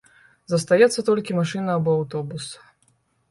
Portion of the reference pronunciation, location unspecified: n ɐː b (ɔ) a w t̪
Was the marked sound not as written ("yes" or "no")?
no